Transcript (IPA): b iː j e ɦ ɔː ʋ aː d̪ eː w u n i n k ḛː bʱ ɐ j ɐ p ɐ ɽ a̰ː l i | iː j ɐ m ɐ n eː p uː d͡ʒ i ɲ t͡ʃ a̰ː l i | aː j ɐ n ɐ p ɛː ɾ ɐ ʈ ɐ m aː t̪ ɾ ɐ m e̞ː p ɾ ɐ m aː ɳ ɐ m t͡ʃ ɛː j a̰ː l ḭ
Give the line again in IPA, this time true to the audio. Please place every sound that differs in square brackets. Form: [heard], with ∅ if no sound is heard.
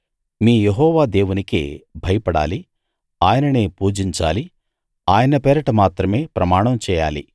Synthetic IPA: [m] iː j e ɦ ɔː ʋ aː d̪ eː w u n i [∅] k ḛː bʱ ɐ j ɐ p ɐ ɽ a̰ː l i | [aː] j ɐ [n] ɐ n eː p uː d͡ʒ i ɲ t͡ʃ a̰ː l i | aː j ɐ n ɐ p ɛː ɾ ɐ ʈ ɐ m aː t̪ ɾ ɐ m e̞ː p ɾ ɐ m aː ɳ ɐ m t͡ʃ ɛː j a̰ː l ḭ